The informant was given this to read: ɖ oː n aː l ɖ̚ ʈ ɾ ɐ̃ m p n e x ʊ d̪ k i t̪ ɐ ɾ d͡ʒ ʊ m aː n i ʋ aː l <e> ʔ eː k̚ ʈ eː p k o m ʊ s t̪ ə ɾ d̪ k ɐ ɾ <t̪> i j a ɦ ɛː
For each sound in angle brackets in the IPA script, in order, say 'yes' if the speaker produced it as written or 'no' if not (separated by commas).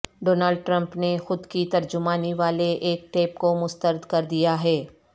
yes, no